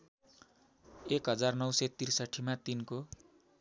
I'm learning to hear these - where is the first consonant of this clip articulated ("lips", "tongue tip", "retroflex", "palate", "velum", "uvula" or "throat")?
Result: velum